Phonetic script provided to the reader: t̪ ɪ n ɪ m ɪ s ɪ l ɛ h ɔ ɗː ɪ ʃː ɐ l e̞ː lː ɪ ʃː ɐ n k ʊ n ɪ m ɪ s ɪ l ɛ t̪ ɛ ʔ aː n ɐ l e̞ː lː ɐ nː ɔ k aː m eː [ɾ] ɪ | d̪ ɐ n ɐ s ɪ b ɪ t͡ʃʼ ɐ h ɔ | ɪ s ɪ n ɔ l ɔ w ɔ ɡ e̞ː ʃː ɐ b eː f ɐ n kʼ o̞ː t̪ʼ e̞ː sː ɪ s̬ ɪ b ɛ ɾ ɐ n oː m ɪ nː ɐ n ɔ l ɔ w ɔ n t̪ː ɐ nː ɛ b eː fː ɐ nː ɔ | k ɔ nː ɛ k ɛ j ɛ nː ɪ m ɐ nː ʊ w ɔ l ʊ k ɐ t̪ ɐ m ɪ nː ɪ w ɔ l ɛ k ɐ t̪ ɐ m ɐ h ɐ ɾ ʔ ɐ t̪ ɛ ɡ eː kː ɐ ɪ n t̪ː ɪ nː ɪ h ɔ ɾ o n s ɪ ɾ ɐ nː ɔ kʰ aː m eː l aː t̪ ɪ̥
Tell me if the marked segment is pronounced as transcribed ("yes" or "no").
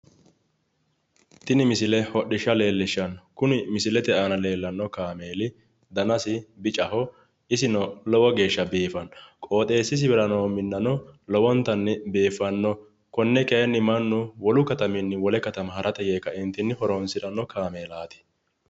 no